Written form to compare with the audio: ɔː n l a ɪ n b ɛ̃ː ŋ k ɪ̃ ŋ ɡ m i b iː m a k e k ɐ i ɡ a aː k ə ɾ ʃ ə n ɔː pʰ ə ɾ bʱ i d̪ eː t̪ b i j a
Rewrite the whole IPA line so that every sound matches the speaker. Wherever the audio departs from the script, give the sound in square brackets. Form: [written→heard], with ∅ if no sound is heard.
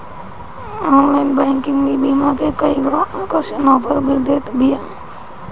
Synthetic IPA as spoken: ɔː n l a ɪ n b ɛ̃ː ŋ k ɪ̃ ŋ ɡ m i b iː m a k e k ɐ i ɡ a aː k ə ɾ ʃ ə n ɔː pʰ ə ɾ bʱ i d̪ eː t̪ b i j a